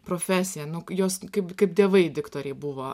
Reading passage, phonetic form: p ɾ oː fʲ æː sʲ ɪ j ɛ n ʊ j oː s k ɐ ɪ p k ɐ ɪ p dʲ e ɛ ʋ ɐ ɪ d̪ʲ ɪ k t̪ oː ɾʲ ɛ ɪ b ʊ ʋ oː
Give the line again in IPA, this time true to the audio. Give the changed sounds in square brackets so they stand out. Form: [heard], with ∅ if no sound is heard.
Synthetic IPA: p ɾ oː fʲ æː sʲ ɪ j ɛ n ʊ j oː s k ɐ ɪ p k ɐ ɪ p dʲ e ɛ ʋ ɐ ɪ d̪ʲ ɪ k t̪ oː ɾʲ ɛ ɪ b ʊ ʋ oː